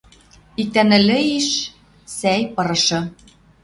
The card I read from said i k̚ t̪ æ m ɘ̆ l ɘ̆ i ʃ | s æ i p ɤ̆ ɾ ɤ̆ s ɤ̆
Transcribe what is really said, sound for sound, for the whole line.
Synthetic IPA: i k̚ t̪ æ n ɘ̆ l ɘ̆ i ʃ | s æ j p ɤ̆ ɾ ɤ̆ ʃ ɤ̆